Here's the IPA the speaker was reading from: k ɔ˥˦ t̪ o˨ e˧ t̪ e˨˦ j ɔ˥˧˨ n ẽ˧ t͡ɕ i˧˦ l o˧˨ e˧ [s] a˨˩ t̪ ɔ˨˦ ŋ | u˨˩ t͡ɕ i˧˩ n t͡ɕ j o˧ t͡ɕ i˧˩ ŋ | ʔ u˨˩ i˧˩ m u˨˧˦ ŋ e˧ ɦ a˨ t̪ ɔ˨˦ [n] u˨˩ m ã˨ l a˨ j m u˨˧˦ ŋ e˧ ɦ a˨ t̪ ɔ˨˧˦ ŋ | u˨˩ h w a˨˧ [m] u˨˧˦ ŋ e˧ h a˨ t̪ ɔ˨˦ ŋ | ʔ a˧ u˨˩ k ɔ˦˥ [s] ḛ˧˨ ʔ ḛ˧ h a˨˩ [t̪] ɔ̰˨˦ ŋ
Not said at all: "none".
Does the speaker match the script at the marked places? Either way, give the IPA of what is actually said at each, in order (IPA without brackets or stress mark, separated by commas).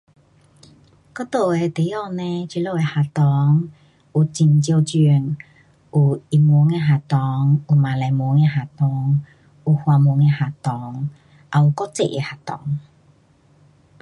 h, ŋ, m, t͡s, t̪